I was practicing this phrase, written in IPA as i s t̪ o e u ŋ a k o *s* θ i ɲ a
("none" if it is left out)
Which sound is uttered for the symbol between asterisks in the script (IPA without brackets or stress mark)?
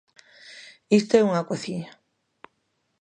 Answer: none